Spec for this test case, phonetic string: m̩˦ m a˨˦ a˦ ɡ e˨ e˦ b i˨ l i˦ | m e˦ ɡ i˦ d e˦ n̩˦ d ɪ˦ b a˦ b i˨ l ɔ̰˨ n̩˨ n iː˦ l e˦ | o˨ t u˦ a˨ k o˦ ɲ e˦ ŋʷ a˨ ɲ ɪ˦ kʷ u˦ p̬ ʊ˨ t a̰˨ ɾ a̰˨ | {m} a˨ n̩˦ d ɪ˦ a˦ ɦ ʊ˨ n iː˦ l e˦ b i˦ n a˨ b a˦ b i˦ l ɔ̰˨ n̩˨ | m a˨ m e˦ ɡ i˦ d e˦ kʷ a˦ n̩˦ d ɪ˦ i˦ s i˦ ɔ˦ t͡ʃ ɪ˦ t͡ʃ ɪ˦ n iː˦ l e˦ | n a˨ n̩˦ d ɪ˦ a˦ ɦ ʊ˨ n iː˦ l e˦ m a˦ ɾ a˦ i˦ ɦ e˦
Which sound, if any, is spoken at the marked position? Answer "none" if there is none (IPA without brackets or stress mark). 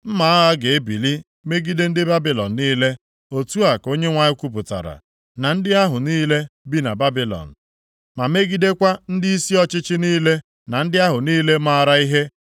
n